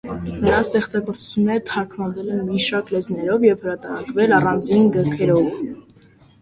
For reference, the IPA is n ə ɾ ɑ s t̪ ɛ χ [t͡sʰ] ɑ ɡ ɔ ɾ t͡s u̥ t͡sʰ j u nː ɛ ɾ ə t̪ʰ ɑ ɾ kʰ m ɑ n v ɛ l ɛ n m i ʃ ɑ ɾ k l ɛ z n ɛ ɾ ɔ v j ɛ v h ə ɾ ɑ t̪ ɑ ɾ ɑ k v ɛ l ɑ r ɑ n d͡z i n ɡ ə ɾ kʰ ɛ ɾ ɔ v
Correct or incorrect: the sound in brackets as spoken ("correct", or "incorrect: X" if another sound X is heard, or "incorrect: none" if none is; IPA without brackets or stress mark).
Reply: incorrect: t͡s